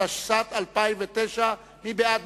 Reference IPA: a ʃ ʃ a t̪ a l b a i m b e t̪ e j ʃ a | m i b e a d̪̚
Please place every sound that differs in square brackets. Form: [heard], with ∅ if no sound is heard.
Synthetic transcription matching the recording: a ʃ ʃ a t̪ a l [p] a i m [v] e t̪ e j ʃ a | m i b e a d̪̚